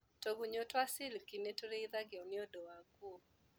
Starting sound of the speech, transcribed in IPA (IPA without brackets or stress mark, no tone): t